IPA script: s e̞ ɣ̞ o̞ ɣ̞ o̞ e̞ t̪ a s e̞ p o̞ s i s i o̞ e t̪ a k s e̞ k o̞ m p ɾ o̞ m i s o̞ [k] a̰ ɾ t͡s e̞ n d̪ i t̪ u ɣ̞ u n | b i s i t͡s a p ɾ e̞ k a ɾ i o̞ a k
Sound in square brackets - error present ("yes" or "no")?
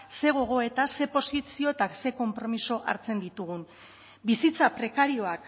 yes